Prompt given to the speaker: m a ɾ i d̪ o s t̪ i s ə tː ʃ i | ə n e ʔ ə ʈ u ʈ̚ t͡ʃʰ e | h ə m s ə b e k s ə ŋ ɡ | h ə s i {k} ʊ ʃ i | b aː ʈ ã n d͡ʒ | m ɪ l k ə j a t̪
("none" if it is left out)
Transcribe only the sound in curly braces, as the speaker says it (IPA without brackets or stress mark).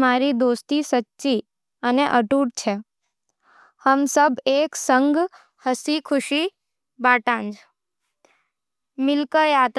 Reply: kʰ